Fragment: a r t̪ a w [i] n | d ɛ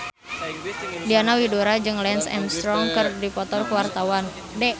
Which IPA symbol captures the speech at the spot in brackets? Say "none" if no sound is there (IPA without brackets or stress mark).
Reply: a